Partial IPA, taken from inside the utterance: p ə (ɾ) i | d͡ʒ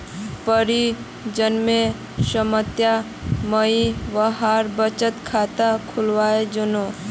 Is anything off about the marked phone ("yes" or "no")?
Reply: no